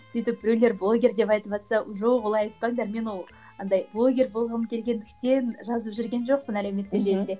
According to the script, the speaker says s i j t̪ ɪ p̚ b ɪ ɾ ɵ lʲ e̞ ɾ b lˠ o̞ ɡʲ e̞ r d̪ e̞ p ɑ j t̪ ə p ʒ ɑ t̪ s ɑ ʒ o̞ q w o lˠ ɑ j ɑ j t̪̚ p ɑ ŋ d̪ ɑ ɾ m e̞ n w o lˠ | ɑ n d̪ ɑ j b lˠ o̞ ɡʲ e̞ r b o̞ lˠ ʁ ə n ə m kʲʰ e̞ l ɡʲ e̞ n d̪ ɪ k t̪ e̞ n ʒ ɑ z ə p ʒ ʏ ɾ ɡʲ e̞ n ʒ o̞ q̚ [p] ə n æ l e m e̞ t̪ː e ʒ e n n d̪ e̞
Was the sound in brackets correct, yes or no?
yes